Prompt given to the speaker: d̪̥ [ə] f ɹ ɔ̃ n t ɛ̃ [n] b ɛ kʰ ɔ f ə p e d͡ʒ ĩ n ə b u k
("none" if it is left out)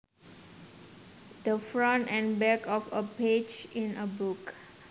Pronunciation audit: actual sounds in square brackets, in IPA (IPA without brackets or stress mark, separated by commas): ə, n